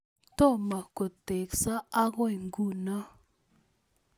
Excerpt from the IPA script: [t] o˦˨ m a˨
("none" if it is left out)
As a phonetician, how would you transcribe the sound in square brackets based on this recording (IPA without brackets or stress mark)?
t